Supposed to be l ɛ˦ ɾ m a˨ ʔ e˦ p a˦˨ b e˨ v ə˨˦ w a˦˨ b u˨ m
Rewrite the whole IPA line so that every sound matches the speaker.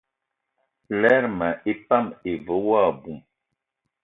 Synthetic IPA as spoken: l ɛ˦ ɾ m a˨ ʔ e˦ p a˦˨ m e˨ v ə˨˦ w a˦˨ b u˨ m